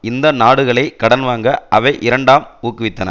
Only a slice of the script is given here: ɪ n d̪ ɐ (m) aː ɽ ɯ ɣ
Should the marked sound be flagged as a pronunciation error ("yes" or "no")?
yes